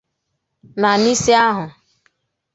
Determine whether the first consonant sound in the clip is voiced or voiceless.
voiced